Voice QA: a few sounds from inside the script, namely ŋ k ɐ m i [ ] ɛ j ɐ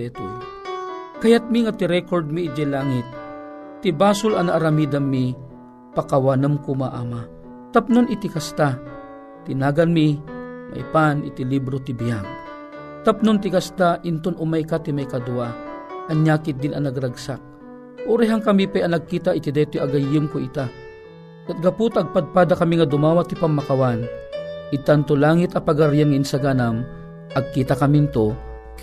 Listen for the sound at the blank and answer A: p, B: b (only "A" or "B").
A